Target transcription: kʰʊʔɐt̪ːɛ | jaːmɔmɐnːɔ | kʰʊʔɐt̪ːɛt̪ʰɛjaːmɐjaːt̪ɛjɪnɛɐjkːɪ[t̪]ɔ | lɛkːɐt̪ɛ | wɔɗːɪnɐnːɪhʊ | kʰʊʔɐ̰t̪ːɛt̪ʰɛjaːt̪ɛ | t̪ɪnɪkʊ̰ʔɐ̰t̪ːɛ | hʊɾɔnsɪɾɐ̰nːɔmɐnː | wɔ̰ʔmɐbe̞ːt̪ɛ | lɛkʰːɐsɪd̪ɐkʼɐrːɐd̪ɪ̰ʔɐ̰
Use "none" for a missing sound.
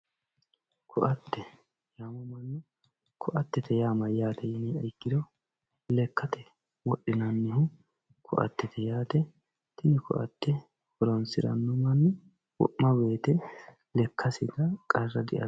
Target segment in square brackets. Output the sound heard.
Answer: d̪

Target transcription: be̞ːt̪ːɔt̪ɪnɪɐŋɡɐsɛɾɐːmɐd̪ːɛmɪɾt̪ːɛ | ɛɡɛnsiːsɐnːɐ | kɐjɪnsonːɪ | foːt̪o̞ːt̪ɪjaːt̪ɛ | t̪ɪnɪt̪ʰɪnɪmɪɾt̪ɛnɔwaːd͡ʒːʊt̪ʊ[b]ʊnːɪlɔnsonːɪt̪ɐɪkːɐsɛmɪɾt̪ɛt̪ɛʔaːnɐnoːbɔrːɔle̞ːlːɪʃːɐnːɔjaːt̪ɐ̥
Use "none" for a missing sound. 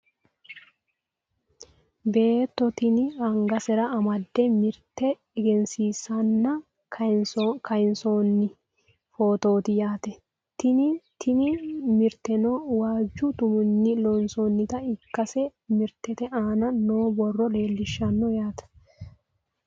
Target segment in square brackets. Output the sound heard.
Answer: m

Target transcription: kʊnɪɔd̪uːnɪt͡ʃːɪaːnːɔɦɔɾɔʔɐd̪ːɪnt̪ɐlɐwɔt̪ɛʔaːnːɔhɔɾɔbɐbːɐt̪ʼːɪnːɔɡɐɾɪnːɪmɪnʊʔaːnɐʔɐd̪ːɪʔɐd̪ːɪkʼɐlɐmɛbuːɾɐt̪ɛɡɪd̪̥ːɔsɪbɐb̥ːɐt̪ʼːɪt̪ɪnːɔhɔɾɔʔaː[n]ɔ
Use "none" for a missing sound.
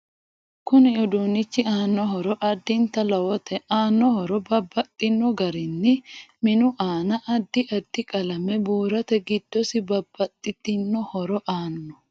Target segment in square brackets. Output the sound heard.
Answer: nː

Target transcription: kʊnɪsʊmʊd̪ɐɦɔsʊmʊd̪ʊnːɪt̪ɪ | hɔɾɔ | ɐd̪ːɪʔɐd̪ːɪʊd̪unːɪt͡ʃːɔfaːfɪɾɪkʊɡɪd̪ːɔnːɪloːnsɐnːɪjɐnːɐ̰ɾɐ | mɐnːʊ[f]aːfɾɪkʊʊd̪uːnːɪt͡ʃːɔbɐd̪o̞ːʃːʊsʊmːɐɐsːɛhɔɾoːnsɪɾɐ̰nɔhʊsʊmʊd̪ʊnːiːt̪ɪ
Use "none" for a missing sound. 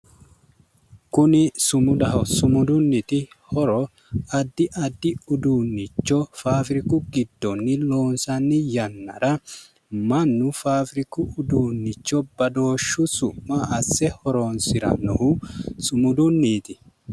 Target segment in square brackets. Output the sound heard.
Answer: f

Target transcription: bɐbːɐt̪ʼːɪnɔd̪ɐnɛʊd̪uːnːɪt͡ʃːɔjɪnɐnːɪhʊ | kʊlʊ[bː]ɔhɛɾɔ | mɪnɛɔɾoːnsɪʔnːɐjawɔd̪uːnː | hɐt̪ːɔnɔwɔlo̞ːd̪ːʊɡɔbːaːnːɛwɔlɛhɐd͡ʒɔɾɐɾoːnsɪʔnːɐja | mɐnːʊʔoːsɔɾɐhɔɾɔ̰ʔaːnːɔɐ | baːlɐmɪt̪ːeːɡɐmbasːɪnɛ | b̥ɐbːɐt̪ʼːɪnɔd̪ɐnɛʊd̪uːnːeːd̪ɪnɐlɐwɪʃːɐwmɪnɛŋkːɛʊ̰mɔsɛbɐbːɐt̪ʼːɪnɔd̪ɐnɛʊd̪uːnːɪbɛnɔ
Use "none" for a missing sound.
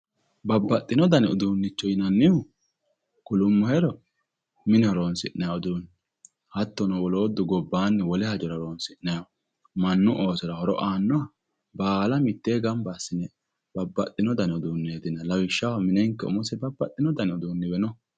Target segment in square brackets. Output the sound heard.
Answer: mː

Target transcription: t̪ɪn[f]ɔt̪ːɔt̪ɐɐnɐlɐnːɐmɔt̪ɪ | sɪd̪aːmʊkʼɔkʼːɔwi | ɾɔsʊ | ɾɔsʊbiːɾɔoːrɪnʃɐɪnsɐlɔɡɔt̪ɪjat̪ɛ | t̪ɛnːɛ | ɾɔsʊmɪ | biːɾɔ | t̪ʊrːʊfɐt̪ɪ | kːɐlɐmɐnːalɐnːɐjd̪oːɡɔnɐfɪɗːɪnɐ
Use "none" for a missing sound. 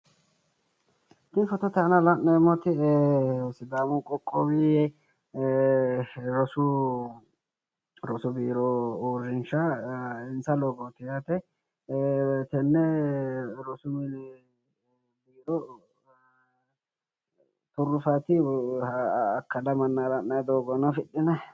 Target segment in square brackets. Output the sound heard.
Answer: f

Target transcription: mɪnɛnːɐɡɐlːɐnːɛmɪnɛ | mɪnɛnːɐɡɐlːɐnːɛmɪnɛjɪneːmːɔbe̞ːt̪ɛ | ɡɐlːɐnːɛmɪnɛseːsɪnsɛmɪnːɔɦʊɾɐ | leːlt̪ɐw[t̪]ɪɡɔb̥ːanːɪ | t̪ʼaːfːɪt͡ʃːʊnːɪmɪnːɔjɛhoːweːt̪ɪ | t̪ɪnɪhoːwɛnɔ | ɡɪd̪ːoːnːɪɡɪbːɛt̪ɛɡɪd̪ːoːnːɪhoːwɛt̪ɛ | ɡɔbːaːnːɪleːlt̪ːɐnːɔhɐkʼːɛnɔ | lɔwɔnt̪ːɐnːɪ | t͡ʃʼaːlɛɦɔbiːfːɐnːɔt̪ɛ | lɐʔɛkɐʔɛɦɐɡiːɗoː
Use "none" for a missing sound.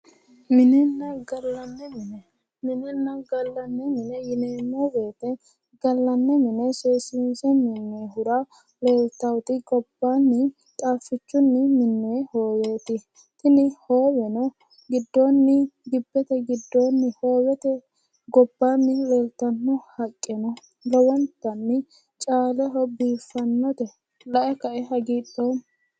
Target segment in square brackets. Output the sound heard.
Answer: t̪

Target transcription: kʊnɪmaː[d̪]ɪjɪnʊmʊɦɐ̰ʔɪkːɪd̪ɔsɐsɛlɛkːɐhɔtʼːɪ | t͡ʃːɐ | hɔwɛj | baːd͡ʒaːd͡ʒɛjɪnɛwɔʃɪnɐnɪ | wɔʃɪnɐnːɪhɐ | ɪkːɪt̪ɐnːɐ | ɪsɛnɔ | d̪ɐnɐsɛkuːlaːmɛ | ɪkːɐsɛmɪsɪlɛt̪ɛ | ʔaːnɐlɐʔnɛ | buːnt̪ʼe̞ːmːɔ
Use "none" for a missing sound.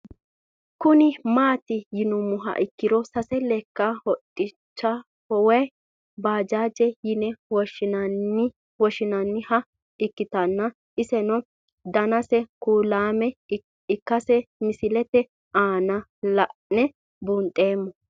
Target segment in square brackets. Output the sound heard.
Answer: t̪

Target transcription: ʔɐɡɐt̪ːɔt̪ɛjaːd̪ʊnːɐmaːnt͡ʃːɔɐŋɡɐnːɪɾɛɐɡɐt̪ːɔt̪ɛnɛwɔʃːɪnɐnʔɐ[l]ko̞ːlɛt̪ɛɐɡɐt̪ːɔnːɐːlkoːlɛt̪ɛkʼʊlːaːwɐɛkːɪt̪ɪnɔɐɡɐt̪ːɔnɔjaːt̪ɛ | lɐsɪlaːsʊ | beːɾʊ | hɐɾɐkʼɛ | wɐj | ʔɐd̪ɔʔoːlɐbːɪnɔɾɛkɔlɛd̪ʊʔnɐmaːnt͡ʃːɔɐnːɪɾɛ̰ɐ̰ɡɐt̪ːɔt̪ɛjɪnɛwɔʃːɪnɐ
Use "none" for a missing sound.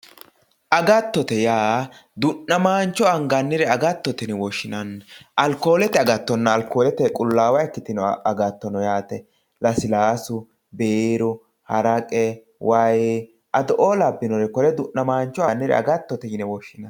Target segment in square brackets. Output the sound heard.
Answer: l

